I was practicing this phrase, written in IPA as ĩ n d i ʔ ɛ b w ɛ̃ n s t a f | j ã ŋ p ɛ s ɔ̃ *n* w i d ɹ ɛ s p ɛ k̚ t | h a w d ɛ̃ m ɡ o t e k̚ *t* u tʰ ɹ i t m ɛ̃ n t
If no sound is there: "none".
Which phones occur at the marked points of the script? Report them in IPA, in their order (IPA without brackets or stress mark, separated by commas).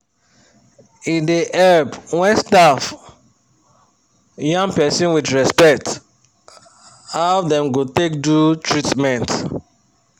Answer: n, d